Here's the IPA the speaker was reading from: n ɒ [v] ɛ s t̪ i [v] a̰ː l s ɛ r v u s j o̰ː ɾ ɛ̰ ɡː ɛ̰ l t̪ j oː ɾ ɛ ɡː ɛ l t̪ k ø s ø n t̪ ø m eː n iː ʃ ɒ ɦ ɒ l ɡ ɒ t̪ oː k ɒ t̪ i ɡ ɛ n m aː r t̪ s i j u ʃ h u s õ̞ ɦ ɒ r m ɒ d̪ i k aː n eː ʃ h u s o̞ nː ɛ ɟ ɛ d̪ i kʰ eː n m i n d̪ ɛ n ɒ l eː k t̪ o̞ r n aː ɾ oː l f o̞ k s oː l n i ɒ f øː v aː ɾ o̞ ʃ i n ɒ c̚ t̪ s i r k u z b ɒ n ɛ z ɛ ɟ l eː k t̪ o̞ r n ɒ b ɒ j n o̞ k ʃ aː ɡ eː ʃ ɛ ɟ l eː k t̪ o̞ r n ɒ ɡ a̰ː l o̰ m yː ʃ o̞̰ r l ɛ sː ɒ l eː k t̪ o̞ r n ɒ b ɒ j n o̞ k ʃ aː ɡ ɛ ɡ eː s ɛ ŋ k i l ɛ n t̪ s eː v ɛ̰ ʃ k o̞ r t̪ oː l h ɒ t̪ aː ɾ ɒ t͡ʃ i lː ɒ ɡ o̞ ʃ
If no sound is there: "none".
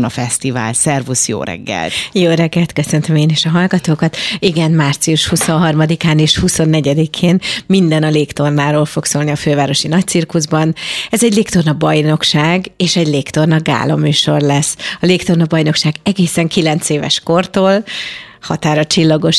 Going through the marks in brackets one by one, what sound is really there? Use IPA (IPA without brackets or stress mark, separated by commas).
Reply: f, v